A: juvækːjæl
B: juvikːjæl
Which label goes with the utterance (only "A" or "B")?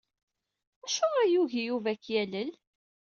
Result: A